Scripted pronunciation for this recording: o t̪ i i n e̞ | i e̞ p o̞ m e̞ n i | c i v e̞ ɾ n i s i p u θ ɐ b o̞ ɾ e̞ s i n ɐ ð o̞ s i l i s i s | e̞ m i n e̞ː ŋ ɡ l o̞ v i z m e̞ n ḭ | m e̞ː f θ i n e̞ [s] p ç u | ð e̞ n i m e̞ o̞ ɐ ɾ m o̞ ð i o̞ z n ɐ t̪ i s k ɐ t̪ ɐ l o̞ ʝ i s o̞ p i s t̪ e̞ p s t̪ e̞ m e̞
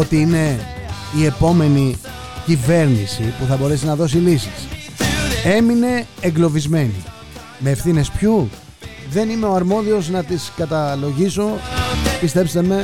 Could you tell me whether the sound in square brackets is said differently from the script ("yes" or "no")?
no